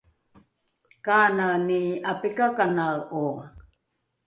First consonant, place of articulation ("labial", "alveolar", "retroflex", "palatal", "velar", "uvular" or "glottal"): velar